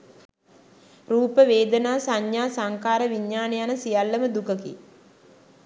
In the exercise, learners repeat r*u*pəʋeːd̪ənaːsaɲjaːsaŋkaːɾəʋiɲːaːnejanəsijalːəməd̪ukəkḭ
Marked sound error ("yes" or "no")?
yes